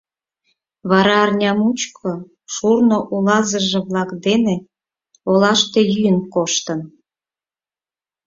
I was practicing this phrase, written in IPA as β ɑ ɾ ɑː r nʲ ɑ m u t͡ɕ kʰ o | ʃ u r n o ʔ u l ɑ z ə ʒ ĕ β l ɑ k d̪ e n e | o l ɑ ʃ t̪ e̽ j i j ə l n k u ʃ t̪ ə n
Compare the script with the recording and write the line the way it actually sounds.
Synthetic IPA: β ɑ ɾ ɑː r nʲ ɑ m u t͡ɕ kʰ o | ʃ u r n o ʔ u l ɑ z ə ʒ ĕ β l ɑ k d̪ e n e | o l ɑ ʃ t̪ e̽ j y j ə n k o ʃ t̪ ə n